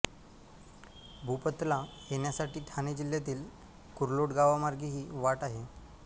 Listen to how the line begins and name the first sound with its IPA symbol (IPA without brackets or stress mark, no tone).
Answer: bʱ